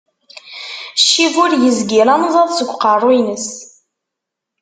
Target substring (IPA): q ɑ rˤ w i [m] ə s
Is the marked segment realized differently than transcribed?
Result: yes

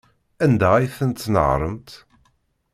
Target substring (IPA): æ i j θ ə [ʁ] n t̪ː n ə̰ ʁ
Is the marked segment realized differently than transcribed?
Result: yes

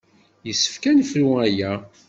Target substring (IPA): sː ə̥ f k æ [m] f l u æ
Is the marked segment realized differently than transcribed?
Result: yes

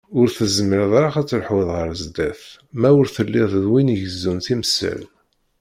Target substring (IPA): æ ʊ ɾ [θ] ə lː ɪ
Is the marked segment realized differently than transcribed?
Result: no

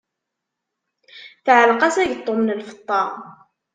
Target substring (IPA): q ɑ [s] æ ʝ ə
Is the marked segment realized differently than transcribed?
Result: no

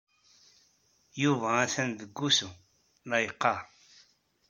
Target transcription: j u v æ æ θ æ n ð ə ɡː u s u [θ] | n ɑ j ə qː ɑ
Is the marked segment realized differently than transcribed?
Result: yes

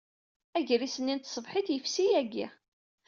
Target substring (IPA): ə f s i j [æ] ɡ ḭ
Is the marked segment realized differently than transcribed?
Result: no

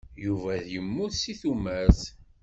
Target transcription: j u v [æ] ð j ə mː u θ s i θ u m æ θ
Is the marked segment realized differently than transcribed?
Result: no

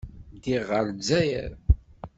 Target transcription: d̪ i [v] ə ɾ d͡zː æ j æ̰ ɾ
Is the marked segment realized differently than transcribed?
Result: yes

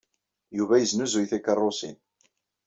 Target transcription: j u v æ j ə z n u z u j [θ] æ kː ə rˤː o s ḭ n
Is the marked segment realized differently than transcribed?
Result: no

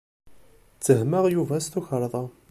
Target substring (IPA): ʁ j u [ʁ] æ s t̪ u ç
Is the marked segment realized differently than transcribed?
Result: yes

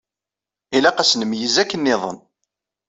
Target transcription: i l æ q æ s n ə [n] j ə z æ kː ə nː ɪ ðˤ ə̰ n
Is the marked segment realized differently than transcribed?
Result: yes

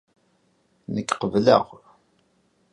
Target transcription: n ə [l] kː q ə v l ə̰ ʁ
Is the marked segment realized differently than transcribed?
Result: yes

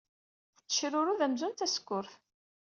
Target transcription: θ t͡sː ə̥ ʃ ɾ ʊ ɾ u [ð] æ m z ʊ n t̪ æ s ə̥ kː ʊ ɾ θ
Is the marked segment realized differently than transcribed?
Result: no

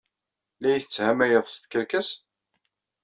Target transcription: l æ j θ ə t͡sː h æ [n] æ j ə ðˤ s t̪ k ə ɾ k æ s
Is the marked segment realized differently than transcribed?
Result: yes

